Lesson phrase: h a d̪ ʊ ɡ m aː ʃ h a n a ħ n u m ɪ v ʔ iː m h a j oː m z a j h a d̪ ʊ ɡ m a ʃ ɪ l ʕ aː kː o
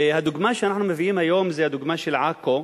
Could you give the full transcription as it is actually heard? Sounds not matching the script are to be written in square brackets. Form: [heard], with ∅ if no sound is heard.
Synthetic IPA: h a d̪ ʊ ɡ m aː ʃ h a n a ħ n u m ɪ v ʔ iː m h a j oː m z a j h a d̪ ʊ ɡ m a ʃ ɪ l ʕ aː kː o